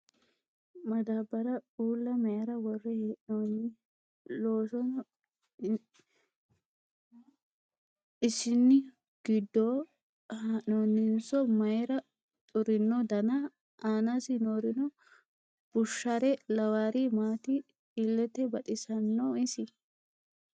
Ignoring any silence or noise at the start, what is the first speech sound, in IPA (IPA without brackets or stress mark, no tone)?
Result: m